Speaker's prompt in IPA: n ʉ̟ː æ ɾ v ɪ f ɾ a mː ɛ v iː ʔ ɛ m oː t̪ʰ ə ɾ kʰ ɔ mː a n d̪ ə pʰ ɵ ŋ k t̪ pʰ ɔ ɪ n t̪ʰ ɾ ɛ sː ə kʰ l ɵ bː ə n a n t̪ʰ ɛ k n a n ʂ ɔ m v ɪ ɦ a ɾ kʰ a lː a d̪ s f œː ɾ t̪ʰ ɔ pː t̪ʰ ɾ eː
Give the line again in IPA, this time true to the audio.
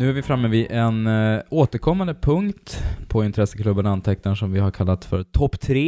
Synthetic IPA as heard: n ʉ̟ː æ ɾ v ɪ f ɾ a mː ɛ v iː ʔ ɛ n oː t̪ ə ɾ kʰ ɔ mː a n d̪ ə pʰ ɵ ŋ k t̪ pʰ ɔ ɪ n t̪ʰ ɾ ɛ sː ə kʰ l ɵ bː ə n a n t̪ʰ ɛ k n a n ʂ ɔ m v ɪ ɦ a ɾ kʰ a lː a t̪ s f œ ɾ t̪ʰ ɔ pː t̪ʰ ɾ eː